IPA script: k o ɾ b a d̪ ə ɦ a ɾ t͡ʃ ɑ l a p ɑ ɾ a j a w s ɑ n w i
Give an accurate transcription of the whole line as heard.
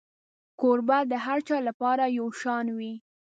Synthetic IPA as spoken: k o ɾ b a d̪ ə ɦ a ɾ t͡ʃ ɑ l a p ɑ ɾ a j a w ʃ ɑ n w i